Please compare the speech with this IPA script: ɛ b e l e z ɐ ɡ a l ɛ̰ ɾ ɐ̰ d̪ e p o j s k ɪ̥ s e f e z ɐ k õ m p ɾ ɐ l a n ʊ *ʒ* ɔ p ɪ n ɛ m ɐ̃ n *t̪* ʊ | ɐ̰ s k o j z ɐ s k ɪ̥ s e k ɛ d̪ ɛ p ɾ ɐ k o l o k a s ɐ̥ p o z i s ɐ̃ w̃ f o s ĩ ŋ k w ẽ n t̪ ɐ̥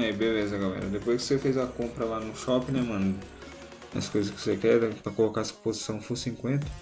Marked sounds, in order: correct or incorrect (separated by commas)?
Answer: incorrect, incorrect